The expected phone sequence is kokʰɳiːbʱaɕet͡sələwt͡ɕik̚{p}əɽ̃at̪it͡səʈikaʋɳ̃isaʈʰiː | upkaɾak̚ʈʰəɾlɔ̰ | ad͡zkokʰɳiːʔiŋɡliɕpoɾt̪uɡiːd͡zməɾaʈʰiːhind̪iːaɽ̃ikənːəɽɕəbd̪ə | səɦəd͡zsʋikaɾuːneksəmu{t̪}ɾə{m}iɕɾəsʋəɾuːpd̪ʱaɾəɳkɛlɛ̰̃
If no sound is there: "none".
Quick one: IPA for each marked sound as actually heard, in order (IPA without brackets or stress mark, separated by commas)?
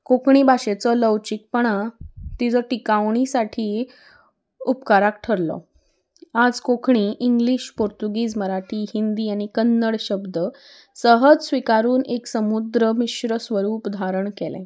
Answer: p, d̪, m